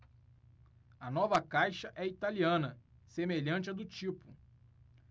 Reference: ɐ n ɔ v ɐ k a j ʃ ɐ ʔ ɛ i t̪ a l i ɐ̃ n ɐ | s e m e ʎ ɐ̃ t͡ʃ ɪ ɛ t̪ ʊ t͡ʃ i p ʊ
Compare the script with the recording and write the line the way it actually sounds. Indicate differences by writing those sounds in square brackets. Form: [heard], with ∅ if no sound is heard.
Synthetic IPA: ɐ n ɔ v ɐ k a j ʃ ɐ ʔ ɛ i t̪ a l i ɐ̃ n ɐ | s e m e ʎ ɐ̃ t͡ʃ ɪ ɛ [d̪] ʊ t͡ʃ i p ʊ